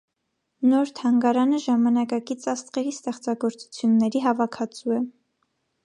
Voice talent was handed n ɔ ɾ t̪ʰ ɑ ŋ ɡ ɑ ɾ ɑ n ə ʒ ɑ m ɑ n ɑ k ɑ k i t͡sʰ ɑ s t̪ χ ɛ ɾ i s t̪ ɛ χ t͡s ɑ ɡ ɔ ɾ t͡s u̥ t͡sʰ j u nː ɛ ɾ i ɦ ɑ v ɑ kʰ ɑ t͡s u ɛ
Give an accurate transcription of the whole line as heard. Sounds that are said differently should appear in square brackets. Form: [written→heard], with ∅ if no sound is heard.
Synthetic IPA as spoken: n ɔ ɾ t̪ʰ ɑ ŋ ɡ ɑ ɾ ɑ n ə ʒ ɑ m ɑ n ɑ k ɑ k i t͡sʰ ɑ s t̪ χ ɛ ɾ i s t̪ ɛ χ t͡s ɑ ɡ ɔ ɾ t͡s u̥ t͡sʰ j u nː ɛ ɾ i ɦ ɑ v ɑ kʰ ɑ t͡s u ɛ